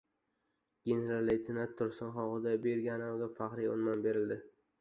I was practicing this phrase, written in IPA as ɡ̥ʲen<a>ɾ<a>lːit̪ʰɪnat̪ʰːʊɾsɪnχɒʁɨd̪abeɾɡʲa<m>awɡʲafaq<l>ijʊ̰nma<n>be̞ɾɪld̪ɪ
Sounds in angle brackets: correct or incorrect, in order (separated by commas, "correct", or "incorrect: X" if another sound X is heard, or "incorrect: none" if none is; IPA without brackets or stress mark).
incorrect: e, correct, incorrect: n, incorrect: ɾ, correct